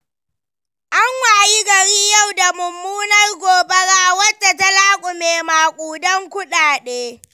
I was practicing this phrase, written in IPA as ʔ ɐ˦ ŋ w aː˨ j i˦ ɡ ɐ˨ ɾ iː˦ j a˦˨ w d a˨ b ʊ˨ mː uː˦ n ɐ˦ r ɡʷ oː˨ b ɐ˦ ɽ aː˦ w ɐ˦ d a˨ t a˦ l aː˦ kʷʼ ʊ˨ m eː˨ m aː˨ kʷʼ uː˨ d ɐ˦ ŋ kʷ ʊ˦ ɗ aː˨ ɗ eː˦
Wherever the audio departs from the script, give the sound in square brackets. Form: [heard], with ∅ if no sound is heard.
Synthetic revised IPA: ʔ [a˦] ŋ w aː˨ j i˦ ɡ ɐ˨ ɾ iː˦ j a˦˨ w d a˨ [m] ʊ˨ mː uː˦ n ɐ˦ r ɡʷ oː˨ b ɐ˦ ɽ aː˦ w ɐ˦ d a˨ t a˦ l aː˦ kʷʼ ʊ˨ m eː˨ m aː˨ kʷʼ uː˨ d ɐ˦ ŋ kʷ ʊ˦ ɗ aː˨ ɗ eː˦